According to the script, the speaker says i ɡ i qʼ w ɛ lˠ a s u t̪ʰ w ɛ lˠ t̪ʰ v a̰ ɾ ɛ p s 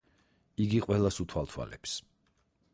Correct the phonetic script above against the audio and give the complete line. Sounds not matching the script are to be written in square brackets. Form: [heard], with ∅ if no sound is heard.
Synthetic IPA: i ɡ i qʼ w ɛ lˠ a s u t̪ʰ w [a] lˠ t̪ʰ [w] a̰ [l] ɛ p s